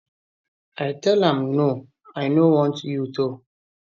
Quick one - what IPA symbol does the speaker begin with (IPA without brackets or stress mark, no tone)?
a